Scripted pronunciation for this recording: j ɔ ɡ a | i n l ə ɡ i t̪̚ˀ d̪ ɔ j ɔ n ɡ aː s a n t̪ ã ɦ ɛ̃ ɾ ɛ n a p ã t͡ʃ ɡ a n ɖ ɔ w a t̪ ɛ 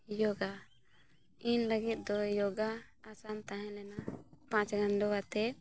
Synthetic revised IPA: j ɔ ɡ a | i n l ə ɡ i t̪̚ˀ d̪ ɔ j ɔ ɡ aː s a n t̪ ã ɦ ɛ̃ l ɛ n a p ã t͡ʃ ɡ a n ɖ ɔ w a t̪ ɛ